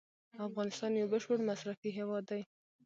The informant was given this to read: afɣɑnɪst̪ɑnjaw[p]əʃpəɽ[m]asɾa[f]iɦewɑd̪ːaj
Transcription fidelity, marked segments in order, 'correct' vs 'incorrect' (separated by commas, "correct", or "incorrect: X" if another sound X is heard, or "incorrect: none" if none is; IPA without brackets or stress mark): incorrect: b, correct, correct